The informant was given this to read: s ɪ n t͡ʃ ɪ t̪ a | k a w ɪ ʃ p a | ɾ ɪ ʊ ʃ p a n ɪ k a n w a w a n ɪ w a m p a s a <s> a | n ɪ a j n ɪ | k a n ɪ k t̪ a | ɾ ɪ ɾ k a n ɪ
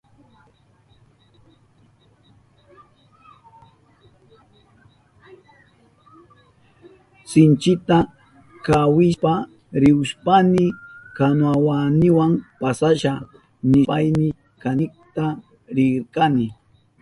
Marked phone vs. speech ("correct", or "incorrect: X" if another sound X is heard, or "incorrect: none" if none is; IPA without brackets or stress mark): incorrect: ʃ